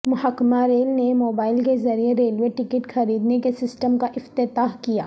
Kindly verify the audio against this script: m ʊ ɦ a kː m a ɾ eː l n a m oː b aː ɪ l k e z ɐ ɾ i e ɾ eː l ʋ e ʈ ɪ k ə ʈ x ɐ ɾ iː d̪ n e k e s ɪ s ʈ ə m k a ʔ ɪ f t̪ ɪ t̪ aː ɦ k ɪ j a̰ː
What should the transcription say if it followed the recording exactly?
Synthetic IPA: m ʊ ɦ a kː m a ɾ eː l n e m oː b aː ɪ l k e z ɐ ɾ i e ɾ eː l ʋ e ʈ ɪ k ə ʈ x ɐ ɾ iː d̪ n e k e s ɪ s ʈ ə m k a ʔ ɪ f t̪ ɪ t̪ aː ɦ k i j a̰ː